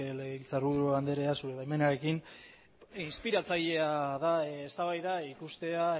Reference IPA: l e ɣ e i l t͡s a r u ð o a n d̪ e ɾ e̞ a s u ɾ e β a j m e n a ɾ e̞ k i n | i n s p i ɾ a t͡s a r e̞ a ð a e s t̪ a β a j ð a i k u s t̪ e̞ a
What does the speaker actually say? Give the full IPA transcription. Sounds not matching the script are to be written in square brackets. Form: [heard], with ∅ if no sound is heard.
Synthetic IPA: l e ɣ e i l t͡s a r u ð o a n d̪ e ɾ e̞ a s u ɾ e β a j m e n a ɾ e̞ k i n | i n s p i ɾ a t͡s a [ʎ] e̞ a ð a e s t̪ a β a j ð a i k u s t̪ e̞ a